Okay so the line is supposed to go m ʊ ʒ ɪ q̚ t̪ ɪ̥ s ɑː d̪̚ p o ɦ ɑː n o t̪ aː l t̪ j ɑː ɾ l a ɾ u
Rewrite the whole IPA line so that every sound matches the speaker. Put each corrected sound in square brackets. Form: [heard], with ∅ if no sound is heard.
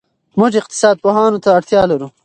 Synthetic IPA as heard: m ʊ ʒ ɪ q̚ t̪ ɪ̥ s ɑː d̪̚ p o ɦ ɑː n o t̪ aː [ɽ] t̪ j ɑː [∅] l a ɾ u